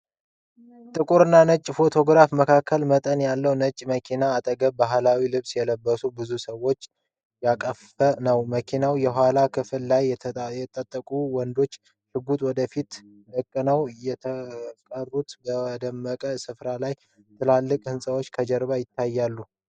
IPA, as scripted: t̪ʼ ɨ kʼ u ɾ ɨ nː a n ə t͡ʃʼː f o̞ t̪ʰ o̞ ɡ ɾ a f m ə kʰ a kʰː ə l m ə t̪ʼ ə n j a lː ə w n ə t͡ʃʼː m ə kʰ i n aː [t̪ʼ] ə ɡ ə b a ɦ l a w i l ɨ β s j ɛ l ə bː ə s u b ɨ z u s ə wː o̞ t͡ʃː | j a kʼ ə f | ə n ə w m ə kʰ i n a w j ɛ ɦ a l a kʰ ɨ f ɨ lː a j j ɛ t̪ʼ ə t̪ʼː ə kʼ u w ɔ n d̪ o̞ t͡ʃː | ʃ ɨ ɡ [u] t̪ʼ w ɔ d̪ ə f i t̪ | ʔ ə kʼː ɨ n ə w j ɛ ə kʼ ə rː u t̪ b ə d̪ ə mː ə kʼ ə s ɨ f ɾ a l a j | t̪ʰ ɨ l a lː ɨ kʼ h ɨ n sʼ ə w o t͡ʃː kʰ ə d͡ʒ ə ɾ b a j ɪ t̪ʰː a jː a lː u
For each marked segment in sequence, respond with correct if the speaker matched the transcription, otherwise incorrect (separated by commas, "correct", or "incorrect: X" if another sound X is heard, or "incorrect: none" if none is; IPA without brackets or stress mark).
correct, correct